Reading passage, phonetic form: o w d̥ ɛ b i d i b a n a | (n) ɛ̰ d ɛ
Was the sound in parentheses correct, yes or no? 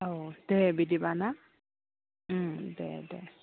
no